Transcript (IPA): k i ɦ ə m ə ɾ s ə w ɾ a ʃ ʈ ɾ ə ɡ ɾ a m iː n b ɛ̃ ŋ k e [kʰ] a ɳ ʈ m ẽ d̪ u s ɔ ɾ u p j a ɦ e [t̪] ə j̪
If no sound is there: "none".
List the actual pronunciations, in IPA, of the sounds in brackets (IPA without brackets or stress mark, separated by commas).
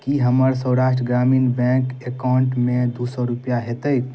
k, t̪